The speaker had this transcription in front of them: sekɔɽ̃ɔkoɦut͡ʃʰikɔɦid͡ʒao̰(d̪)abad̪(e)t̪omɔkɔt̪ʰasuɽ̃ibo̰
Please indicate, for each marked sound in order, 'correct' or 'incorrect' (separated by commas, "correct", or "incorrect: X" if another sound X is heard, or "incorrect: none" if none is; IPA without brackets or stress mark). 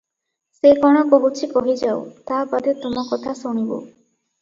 incorrect: t̪, correct